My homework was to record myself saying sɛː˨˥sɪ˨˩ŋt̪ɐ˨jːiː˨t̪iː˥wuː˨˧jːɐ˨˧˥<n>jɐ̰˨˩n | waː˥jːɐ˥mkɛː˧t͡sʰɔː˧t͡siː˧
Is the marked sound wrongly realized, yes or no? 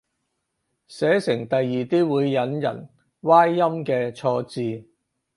no